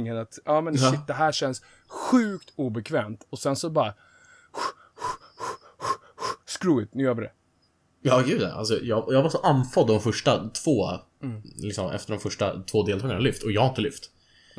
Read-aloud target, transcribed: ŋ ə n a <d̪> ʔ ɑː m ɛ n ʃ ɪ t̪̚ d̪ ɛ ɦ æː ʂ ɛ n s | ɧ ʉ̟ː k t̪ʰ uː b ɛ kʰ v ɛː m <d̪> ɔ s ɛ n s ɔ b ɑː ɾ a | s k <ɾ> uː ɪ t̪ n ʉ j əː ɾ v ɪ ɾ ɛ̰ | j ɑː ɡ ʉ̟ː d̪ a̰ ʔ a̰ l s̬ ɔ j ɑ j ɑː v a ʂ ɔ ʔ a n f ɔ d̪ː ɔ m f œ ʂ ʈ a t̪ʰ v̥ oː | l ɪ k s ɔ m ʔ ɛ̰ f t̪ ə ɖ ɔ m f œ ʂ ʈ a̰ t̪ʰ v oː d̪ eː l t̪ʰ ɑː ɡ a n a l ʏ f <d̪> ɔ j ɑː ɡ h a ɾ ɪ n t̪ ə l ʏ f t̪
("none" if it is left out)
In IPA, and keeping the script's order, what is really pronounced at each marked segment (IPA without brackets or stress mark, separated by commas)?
t̪, t̪, ɾ, t̪